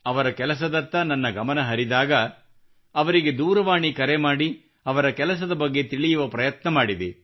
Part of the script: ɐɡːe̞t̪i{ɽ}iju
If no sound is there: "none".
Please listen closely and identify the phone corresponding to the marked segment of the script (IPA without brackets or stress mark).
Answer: ɭ